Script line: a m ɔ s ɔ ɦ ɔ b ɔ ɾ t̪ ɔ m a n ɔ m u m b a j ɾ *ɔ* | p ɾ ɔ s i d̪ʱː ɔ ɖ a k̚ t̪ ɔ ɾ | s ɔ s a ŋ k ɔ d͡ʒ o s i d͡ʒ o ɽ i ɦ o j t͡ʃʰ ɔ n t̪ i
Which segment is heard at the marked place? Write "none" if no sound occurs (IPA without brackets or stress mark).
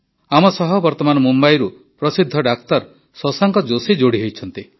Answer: u